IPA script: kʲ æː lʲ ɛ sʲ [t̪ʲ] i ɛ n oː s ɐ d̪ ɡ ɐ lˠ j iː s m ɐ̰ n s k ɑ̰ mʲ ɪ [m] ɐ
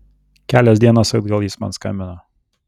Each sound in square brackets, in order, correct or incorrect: incorrect, incorrect

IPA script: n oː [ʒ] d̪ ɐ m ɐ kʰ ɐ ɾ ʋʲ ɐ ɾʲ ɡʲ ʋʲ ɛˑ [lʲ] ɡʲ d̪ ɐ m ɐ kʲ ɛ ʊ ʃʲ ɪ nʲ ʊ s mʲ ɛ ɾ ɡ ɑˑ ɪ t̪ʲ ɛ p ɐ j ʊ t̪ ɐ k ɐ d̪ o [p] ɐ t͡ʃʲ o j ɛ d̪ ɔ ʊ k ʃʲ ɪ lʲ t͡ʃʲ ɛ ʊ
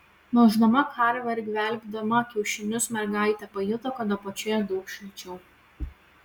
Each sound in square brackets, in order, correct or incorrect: correct, correct, correct

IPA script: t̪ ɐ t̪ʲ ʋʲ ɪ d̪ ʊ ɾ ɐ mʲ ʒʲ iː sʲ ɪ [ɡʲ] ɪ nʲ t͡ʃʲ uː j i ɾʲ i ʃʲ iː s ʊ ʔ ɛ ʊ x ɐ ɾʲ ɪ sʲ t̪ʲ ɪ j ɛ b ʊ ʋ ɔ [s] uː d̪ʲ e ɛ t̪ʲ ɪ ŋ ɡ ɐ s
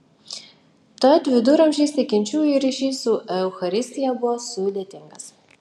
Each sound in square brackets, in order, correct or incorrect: incorrect, correct

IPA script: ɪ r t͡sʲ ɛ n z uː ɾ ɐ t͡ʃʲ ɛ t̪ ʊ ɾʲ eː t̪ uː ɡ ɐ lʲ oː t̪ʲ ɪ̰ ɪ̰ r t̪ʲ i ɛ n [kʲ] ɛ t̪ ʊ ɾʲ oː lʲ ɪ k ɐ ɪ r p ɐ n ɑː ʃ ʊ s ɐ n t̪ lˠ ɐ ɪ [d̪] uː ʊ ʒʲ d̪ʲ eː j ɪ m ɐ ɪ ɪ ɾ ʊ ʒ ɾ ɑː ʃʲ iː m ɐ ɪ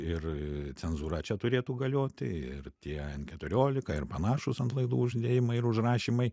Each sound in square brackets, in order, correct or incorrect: correct, correct

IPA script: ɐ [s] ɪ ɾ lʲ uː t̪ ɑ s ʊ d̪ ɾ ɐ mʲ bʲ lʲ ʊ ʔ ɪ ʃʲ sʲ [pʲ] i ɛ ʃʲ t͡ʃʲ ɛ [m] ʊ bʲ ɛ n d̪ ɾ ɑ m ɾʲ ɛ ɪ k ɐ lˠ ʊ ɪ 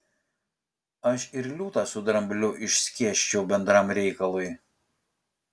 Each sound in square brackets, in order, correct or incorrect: incorrect, incorrect, incorrect

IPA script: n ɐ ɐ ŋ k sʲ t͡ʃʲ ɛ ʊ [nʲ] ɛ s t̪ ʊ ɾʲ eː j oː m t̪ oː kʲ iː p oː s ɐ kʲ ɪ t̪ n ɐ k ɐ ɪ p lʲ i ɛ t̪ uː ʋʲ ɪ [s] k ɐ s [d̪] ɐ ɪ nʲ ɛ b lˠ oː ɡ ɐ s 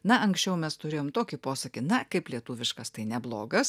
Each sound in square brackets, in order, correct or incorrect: incorrect, incorrect, incorrect

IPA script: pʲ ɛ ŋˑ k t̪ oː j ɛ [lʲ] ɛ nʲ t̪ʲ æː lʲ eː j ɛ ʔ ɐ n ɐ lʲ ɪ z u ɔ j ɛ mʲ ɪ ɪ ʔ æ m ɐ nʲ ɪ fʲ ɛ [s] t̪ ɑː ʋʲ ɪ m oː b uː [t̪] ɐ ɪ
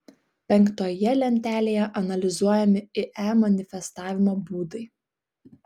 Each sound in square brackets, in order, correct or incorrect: correct, correct, incorrect

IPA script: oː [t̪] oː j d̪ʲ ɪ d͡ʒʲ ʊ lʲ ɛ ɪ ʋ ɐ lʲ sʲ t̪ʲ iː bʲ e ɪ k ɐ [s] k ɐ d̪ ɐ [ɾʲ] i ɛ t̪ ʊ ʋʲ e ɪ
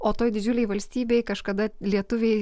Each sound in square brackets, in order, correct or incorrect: correct, incorrect, incorrect

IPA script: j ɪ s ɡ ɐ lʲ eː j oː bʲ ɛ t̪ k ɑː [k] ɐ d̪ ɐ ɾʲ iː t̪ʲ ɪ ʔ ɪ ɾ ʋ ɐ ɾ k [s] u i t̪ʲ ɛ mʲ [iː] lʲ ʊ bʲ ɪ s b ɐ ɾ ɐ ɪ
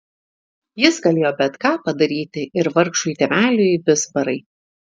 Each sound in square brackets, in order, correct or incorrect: incorrect, incorrect, incorrect

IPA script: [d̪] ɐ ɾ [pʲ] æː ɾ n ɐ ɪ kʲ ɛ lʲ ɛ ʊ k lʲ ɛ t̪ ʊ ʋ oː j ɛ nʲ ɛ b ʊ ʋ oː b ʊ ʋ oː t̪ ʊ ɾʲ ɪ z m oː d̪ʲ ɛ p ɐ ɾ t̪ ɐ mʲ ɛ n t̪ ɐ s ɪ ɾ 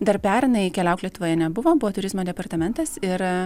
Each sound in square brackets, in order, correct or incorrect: correct, correct

